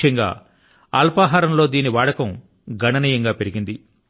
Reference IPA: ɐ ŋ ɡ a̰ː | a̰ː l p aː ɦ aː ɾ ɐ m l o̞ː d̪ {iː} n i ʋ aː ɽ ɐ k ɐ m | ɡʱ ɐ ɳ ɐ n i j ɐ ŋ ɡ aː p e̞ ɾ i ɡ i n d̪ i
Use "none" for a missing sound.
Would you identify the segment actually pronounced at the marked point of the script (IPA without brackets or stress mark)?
iː